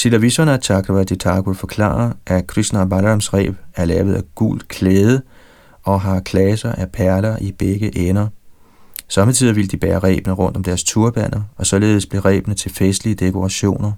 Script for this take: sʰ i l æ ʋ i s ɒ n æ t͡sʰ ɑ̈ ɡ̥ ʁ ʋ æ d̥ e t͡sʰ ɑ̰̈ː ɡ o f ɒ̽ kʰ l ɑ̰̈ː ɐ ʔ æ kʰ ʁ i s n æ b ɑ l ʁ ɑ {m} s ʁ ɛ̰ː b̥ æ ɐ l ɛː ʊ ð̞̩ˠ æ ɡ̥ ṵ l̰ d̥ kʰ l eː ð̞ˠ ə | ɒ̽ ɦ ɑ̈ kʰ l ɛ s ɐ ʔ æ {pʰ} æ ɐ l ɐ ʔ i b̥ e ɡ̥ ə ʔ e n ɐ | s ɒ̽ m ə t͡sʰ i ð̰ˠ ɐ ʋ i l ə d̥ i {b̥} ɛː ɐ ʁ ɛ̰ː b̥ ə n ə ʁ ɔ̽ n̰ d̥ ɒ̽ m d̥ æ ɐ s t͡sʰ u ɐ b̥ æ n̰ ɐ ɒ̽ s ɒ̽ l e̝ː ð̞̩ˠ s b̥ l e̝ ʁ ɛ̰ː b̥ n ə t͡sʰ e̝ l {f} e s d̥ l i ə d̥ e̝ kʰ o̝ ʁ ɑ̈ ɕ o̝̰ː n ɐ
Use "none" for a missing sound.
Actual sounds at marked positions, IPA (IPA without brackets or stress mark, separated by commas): m, pʰ, b̥, f